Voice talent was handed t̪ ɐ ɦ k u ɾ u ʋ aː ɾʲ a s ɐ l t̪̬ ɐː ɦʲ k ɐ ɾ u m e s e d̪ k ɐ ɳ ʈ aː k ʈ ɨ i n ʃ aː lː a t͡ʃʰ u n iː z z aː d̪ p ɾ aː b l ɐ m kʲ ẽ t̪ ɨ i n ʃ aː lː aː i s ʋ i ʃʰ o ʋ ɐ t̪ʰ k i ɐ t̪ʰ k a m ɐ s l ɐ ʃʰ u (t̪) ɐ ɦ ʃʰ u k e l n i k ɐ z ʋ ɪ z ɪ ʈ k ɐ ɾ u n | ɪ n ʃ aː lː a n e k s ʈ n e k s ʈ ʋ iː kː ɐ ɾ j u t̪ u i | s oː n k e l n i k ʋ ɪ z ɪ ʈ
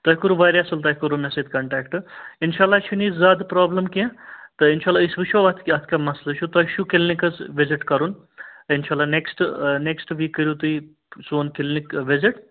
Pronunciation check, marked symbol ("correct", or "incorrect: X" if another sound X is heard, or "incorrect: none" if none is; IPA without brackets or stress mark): correct